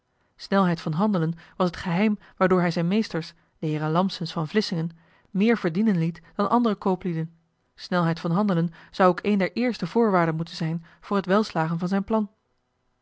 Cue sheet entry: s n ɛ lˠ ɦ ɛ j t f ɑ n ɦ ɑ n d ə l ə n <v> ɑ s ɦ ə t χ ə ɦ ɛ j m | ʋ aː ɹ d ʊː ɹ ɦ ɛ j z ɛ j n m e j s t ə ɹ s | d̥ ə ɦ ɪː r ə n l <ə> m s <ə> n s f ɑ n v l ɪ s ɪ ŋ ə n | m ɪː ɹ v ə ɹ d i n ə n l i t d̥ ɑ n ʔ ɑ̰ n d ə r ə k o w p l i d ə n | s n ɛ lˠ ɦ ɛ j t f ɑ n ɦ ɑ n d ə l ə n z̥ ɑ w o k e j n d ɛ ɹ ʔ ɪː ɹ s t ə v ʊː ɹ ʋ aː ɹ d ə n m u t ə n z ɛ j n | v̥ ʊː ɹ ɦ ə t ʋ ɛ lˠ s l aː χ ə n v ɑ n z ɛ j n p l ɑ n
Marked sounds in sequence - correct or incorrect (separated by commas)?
incorrect, incorrect, correct